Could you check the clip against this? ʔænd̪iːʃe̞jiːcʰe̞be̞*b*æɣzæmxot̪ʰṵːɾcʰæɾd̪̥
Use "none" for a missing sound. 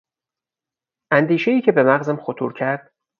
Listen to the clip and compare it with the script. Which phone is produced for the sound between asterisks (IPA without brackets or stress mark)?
m